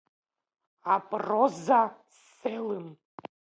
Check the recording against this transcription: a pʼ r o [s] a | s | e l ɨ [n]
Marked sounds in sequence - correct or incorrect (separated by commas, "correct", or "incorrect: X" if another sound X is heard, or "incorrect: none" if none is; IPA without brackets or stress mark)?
incorrect: z, incorrect: m